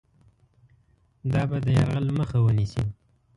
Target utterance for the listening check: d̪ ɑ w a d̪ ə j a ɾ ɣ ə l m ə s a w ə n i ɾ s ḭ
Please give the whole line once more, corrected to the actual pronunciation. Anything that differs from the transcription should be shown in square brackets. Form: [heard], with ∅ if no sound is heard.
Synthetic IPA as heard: d̪ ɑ [b] a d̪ ə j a ɾ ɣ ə l m ə [x] a w ə n i [∅] s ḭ